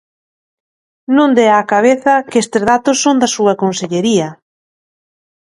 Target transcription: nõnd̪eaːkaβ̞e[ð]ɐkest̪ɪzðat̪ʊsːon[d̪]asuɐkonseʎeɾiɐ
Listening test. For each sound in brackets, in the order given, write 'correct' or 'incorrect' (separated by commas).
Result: incorrect, correct